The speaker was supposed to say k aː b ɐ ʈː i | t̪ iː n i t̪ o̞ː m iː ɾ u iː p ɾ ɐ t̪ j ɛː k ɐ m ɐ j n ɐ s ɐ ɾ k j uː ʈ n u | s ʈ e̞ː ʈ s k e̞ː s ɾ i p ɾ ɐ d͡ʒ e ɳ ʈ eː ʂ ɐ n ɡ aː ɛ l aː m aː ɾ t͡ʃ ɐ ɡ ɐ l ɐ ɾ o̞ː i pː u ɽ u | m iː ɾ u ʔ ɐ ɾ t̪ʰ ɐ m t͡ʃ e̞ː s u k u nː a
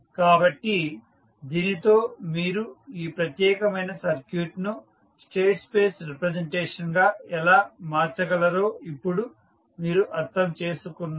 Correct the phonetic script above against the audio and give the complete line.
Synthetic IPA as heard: k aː b ɐ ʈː i | d̪ iː n i t̪ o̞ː m iː ɾ u iː p ɾ ɐ t̪ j ɛː k ɐ m ɐ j n ɐ s ɐ ɾ k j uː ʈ n u | s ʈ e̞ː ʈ s p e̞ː s ɾ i p ɾ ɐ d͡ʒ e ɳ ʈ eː ʂ ɐ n ɡ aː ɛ l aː m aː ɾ t͡ʃ ɐ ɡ ɐ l ɐ ɾ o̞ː i pː u ɽ u | m iː ɾ u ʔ ɐ ɾ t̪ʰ ɐ m t͡ʃ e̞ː s u k u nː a